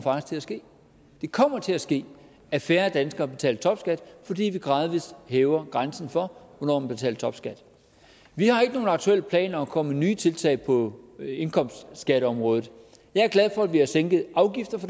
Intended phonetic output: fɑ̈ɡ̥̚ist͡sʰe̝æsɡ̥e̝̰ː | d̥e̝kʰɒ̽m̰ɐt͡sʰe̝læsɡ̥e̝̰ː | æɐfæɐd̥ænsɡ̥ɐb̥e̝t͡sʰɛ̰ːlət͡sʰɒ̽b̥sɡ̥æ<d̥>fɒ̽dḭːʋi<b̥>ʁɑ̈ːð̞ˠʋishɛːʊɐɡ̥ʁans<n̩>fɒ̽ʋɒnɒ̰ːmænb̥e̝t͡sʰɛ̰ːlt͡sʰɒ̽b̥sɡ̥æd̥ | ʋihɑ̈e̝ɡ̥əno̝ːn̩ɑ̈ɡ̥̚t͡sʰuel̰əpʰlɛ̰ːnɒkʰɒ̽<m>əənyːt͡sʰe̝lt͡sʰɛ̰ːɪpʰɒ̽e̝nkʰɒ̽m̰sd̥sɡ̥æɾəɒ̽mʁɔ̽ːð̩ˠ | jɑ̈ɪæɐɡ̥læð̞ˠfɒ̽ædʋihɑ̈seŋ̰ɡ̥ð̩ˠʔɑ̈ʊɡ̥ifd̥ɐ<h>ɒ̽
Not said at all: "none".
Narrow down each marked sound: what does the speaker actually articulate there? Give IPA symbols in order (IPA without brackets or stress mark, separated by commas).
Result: d̥, ɡ̥, n̩, m, f